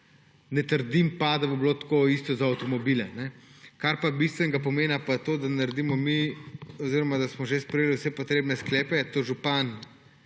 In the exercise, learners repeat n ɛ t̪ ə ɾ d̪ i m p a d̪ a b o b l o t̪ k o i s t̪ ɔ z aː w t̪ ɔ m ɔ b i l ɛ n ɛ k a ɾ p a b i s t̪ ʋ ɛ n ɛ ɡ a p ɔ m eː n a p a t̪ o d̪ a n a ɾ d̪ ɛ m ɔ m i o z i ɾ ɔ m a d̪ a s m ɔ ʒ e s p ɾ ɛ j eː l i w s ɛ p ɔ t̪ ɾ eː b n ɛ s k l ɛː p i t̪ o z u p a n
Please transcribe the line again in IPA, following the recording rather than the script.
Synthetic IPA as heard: n ɛ t̪ ə ɾ d̪ i m p a d̪ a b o b l o t̪ k o i s t̪ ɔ z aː w t̪ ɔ m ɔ b i l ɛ n ɛ k a ɾ p a b i s t̪ ʋ ɛ n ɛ ɡ a p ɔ m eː n a p a t̪ o d̪ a n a ɾ d̪ i m ɔ m i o z i ɾ ɔ m a d̪ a s m ɔ ʒ e s p ɾ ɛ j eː l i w s ɛ p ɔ t̪ ɾ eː b n ɛ s k l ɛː p ɛ t̪ o ʒ u p a n

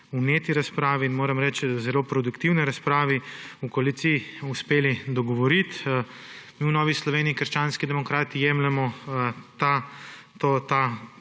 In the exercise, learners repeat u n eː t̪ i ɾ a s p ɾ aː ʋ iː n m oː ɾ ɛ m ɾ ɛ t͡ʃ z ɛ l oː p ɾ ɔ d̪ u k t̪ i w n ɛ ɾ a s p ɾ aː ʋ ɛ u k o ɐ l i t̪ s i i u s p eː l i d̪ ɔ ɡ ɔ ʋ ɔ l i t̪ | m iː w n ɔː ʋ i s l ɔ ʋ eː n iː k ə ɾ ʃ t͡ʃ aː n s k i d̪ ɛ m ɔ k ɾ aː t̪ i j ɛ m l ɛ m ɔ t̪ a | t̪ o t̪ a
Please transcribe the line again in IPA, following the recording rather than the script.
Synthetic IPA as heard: u n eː t̪ i ɾ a s p ɾ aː ʋ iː n m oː ɾ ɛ m ɾ ɛ t͡ʃ z ɛ l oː p ɾ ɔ d̪ u k t̪ i w n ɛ ɾ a s p ɾ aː ʋ i u k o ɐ l i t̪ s i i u s p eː l i d̪ ɔ ɡ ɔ ʋ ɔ ɾ i t̪ | m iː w n ɔː ʋ i s l ɔ ʋ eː n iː k ə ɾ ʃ t͡ʃ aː n s k i d̪ ɛ m ɔ k ɾ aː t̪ i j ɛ m l ɛ m ɔ t̪ a | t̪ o t̪ a

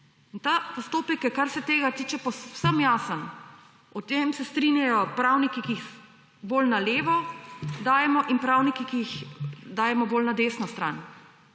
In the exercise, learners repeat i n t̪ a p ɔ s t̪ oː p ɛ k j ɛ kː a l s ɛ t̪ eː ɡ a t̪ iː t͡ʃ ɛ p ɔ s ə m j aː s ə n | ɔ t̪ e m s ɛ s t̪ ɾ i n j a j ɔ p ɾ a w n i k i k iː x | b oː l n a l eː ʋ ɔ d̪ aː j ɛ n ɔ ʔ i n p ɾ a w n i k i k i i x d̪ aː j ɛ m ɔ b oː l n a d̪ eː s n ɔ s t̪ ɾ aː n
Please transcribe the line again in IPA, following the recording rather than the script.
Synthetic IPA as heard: i n t̪ a p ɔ s t̪ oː p ɛ k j ɛ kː a ɾ s ɛ t̪ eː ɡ a t̪ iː t͡ʃ ɛ p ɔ s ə m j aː s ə n | ɔ t̪ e m s ɛ s t̪ ɾ i n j a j ɔ p ɾ a w n i k i k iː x | b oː l n a l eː ʋ ɔ d̪ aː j ɛ m ɔ ʔ i n p ɾ a w n i k i k i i x d̪ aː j ɛ m ɔ b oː l n a d̪ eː s n ɔ s t̪ ɾ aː n

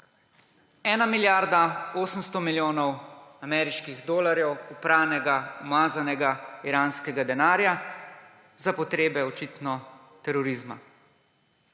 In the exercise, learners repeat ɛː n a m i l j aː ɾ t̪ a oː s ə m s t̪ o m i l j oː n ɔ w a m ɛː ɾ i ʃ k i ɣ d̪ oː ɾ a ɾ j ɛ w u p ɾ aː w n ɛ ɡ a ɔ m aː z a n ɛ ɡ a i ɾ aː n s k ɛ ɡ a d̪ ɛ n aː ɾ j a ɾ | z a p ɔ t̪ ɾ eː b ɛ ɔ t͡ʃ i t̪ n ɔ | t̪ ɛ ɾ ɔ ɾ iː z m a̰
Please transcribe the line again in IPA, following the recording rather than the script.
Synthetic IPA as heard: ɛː n a m i l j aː ɾ d̪ a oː s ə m s t̪ ɔ m i l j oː n ɔ w a m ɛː ɾ i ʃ k i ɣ d̪ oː l a ɾ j ɛ w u p ɾ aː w n ɛ ɡ a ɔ m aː z a n ɛ ɡ a i ɾ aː n s k ɛ ɡ a d̪ ɛ n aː ɾ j a | z a p ɔ t̪ ɾ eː b ɛ ɔ t͡ʃ i t̪ n ɔ | t̪ ɛ ɾ ɔ ɾ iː z m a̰

